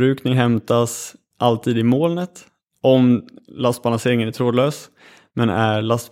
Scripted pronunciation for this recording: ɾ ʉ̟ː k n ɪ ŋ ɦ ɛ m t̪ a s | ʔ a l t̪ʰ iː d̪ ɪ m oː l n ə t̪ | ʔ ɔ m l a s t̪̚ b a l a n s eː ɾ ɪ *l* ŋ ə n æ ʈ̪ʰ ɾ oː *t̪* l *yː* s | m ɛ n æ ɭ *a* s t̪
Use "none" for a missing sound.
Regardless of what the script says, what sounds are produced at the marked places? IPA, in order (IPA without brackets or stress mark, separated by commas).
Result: none, d̪, øː, a